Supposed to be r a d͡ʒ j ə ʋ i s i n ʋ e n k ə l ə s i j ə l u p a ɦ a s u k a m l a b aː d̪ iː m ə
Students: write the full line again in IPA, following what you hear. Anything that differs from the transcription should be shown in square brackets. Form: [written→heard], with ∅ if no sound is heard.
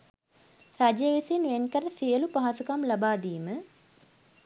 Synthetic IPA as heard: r a d͡ʒ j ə ʋ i s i n ʋ e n k ə [l→ɾ] ə s i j ə l u p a ɦ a s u k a m l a b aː d̪ iː m ə